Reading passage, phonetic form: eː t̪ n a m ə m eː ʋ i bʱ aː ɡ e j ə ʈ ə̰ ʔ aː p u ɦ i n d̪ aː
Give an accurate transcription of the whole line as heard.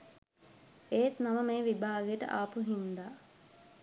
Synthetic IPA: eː t̪ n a m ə m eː ʋ i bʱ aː ɡ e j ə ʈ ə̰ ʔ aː p u ɦ i n d̪ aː